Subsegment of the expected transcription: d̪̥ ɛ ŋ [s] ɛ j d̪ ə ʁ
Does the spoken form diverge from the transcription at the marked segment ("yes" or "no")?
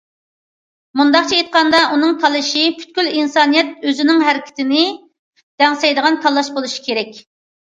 no